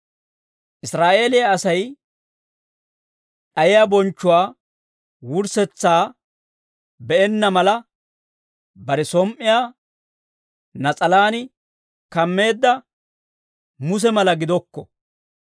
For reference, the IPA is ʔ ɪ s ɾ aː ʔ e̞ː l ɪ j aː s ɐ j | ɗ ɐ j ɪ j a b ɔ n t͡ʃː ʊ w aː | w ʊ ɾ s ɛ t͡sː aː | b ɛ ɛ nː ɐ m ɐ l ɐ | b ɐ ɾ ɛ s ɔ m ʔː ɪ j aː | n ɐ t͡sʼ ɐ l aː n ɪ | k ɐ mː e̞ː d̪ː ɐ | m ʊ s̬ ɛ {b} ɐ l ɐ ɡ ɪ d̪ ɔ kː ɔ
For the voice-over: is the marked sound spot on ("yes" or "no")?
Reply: no